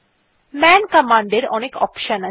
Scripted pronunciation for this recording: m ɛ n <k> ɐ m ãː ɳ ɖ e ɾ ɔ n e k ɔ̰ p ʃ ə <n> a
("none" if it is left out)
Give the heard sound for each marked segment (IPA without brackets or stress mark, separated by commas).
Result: k, n